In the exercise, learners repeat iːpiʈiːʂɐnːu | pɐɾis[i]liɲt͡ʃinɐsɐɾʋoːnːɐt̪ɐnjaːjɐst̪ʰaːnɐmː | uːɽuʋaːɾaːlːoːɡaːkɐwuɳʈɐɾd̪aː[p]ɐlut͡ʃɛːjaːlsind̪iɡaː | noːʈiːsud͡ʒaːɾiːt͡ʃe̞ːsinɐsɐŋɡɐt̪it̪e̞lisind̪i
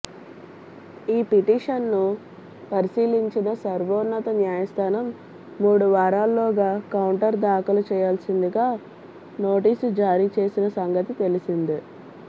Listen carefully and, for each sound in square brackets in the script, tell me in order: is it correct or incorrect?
incorrect, incorrect

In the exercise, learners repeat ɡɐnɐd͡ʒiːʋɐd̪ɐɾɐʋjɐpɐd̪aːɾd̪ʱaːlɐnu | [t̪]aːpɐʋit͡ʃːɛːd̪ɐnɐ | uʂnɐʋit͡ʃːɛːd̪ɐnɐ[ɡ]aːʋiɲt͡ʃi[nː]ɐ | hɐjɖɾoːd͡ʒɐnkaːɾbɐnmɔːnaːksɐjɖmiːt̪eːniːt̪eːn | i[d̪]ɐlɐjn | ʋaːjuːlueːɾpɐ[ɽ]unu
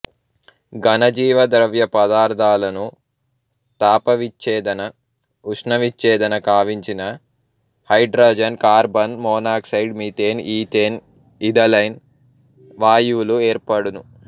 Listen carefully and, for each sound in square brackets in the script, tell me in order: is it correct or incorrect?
correct, incorrect, incorrect, correct, correct

